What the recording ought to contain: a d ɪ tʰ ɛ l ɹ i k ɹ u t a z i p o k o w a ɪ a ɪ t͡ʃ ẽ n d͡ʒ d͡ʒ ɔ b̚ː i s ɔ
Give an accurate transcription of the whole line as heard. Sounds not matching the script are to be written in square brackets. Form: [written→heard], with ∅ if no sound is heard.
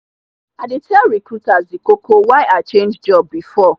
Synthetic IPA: a d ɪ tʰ ɛ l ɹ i k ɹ u t a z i [p→k] o k o w a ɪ a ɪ t͡ʃ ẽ n d͡ʒ d͡ʒ ɔ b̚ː i [s→f] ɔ

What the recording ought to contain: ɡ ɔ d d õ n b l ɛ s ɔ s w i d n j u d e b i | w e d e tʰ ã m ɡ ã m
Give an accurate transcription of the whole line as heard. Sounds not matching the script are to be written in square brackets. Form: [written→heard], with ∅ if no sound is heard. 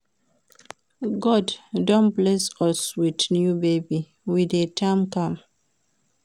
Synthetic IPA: ɡ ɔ d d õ n b l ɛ s ɔ s w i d n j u [d→b] e b i | w [e→i] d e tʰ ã m [ɡ→k] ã m

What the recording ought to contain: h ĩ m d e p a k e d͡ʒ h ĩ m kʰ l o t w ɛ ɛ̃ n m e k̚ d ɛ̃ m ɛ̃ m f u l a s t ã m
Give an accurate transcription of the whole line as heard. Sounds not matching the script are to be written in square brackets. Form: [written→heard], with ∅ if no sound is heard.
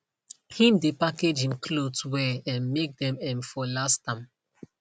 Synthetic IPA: h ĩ m d e p a k e d͡ʒ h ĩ m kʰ l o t w ɛ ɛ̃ n m e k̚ d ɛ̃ m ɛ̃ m f [u→ɔ] l a s t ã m

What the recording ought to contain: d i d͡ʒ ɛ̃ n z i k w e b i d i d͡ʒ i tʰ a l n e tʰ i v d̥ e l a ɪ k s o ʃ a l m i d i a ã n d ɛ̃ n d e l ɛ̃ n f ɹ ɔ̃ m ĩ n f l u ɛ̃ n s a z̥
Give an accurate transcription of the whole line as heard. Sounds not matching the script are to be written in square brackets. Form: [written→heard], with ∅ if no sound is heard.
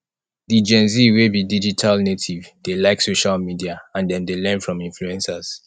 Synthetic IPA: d i d͡ʒ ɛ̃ n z i [k→∅] w e b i d i d͡ʒ i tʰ a l n e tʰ i v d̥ e l a ɪ k s o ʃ a l m i d i a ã n d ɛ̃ n d e l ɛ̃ n f ɹ ɔ̃ m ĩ n f l u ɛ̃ n s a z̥

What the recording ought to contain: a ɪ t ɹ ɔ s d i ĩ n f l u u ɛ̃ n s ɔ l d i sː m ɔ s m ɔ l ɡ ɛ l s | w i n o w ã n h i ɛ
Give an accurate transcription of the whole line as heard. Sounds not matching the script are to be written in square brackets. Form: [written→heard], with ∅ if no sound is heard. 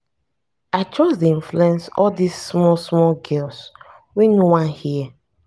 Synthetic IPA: a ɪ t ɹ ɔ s d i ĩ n f l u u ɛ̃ n s ɔ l d i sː m ɔ s m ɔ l ɡ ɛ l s | w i n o w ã n h i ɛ

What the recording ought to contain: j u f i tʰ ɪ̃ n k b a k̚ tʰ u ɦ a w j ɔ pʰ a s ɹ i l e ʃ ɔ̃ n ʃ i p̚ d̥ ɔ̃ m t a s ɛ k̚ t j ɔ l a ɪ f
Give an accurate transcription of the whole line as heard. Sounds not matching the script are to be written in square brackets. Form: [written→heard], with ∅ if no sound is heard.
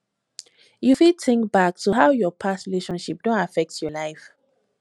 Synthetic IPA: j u f i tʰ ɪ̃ [n→ŋ] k b a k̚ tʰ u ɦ a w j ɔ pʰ a s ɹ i l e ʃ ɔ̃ n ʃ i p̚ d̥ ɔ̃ [m→n] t a [s→f] ɛ k̚ t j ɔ l a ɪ f

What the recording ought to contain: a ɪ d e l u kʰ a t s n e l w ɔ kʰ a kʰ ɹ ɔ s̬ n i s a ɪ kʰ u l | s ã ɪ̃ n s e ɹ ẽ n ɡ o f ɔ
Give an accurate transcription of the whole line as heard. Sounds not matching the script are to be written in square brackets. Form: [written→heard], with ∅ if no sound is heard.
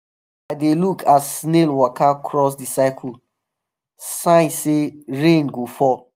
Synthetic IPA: a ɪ d e l u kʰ a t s n e l w ɔ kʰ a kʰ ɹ ɔ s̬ [n→d] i s a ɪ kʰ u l | s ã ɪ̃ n s e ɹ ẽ n ɡ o f ɔ

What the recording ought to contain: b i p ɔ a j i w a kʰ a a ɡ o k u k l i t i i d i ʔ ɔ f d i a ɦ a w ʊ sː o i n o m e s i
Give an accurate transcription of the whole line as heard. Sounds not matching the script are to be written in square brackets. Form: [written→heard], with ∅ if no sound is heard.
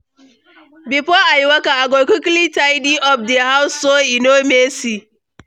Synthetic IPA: b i p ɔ a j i w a [kʰ→k] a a ɡ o k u k l i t [i→a] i d i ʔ ɔ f d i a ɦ a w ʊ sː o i n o m e s i

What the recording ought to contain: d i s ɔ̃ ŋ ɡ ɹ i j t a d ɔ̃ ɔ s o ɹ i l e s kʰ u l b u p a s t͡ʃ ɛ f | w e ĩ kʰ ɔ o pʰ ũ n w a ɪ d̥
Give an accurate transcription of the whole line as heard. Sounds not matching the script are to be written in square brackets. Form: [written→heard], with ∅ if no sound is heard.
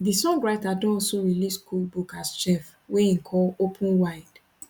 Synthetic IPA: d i s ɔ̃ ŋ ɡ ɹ [i→a] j t a d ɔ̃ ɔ s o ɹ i l [e→i] s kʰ u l b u [p→k] a s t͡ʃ ɛ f | w e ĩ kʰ ɔ o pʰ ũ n w a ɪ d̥

